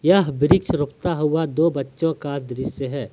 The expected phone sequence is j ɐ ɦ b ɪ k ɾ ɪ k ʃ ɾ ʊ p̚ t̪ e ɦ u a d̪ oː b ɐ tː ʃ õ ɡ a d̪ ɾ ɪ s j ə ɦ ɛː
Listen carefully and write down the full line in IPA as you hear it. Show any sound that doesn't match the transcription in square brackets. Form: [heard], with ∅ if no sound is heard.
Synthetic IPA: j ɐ ɦ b ɪ [∅] ɾ ɪ k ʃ ɾ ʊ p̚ t̪ [a] ɦ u a d̪ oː b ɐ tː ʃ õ [k] a d̪ ɾ ɪ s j ə ɦ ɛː